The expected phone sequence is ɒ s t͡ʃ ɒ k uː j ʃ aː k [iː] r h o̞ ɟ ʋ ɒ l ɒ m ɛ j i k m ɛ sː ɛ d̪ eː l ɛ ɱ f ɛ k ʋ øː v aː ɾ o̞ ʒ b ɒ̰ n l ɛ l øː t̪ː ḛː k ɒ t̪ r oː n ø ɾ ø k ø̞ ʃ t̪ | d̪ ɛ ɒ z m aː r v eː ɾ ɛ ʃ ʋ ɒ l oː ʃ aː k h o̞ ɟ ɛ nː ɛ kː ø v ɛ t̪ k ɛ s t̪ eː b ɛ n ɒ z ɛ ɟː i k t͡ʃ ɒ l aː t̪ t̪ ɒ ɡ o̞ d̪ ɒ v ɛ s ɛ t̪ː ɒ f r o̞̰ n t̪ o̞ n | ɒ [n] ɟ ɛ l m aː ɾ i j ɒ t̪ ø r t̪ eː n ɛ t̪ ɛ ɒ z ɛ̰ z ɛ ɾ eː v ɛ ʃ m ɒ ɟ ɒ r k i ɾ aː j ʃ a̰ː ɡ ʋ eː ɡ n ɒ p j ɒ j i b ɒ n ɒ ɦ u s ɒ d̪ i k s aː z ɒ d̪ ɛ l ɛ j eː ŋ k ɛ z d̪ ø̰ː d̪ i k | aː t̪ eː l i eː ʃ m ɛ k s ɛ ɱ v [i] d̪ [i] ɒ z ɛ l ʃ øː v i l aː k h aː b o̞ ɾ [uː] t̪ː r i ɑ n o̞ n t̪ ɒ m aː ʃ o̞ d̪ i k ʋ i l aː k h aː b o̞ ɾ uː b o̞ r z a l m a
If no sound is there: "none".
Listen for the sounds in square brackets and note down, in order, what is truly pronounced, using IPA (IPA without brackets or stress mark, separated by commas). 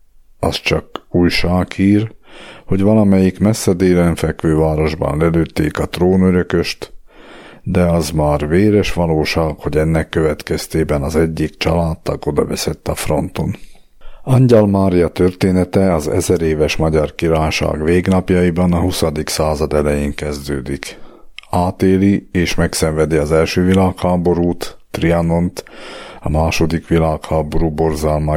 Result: iː, ɲ, ɛ, i, uː